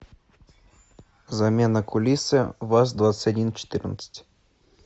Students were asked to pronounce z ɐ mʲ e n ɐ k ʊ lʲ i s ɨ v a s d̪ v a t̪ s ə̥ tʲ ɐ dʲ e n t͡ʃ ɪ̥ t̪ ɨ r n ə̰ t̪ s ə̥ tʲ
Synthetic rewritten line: z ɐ mʲ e n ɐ k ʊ lʲ i s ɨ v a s d̪ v a t̪ s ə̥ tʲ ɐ dʲ i n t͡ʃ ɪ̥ t̪ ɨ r n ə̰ t̪ s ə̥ tʲ